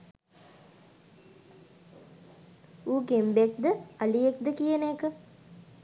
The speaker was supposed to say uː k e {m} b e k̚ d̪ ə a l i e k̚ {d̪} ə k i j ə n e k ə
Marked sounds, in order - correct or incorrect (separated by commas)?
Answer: correct, correct